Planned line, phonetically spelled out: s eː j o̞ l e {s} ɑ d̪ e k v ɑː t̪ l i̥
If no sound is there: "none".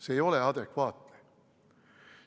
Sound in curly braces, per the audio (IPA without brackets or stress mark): none